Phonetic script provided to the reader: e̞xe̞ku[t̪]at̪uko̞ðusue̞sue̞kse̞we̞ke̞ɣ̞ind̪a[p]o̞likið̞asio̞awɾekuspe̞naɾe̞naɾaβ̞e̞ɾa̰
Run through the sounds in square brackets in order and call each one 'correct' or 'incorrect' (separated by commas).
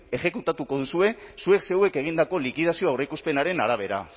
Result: correct, incorrect